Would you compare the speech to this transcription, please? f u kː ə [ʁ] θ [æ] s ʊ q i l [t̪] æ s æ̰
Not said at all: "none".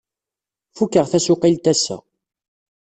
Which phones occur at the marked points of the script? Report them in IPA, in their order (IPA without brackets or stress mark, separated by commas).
ʁ, æ, t̪